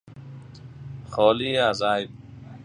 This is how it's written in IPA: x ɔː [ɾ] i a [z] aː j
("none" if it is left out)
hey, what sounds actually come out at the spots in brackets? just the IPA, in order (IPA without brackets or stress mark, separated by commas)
l, z